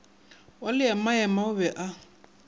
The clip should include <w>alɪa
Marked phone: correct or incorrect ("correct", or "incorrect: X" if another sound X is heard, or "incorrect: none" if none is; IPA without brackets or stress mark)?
correct